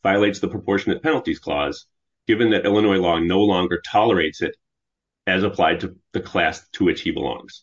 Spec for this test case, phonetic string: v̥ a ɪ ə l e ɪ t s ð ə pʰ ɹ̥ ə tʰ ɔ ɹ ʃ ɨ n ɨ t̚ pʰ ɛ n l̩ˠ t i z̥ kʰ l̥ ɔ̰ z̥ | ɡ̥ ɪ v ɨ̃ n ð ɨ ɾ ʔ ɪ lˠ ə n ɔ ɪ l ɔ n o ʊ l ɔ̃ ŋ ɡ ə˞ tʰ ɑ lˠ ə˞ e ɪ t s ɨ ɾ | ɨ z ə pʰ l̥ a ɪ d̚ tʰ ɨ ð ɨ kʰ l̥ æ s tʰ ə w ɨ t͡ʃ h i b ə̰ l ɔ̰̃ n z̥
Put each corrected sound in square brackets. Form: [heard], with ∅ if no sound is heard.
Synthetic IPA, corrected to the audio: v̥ a ɪ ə l e ɪ t s ð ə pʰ ɹ̥ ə [pʰ] ɔ ɹ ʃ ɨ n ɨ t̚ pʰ ɛ n l̩ˠ t i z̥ kʰ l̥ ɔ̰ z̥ | ɡ̥ ɪ v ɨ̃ n ð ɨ ɾ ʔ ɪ lˠ ə n ɔ ɪ l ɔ n o ʊ l ɔ̃ ŋ ɡ ə˞ tʰ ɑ lˠ ə˞ e ɪ t s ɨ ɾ | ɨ z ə pʰ l̥ a ɪ d̚ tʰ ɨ ð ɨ kʰ l̥ æ s tʰ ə w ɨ t͡ʃ h i b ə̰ l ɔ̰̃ [ŋ] z̥